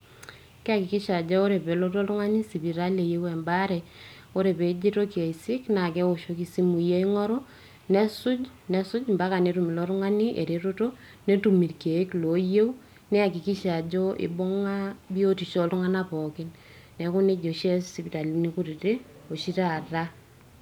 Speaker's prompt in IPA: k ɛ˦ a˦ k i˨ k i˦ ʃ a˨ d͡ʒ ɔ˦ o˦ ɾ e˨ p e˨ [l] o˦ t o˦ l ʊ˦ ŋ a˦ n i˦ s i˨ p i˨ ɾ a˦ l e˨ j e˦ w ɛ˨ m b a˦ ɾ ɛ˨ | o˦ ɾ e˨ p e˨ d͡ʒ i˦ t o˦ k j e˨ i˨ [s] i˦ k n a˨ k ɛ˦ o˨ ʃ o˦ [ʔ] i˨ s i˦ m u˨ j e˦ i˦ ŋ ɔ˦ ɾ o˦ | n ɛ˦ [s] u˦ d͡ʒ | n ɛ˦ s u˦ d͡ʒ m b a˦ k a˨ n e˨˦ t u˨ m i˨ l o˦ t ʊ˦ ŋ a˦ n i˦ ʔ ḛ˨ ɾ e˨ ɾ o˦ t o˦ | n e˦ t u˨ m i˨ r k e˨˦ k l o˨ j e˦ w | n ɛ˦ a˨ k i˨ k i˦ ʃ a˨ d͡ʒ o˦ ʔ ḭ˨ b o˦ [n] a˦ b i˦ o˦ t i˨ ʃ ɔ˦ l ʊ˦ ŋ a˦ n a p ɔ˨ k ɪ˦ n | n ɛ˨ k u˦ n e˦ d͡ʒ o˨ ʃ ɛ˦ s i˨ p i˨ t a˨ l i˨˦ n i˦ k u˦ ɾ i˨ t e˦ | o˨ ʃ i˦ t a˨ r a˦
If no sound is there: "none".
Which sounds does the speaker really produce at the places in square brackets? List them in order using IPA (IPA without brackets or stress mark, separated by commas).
l, s, k, s, ŋ